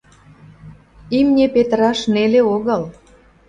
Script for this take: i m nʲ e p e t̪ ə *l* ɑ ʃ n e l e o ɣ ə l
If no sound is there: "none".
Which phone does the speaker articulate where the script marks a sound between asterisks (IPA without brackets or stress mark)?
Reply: ɾ